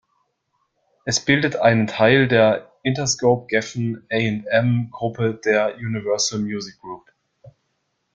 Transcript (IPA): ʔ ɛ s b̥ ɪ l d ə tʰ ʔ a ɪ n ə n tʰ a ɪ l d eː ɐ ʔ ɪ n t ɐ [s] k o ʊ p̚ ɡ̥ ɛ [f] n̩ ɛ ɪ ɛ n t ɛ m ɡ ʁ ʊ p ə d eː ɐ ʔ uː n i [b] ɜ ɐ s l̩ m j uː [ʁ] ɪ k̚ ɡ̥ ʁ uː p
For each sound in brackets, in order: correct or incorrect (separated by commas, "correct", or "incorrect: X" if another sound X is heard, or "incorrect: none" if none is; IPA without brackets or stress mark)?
correct, correct, incorrect: v, incorrect: z